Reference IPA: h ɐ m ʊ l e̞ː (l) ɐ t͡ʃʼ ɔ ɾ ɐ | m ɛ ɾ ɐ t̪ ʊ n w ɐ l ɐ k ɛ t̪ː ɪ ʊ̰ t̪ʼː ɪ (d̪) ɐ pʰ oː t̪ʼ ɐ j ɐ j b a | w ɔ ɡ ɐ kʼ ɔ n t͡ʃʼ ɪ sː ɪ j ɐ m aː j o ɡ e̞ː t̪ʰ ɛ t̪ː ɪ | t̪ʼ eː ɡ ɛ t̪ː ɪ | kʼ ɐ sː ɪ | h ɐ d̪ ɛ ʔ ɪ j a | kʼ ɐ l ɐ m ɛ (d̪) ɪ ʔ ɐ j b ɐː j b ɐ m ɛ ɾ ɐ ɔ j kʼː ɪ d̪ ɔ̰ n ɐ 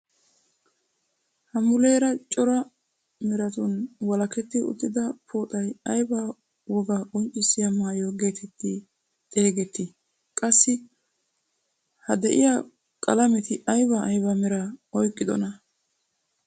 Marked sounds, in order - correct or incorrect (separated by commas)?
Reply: incorrect, correct, incorrect